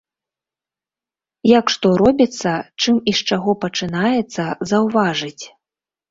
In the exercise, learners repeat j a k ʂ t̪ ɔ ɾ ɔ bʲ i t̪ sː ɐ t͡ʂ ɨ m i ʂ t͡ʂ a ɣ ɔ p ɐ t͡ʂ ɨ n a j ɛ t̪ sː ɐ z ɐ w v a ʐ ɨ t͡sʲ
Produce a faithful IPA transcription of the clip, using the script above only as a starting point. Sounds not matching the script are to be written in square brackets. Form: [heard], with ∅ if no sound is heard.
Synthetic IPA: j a k ʂ t̪ ɔ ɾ ɔ bʲ i t̪ sː ɐ t͡ʂ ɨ m i ʂ t͡ʂ a ɣ ɔ p ɐ t͡ʂ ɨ n a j ɛ t̪ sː ɐ z ɐ w v a ʐ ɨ t͡sʲ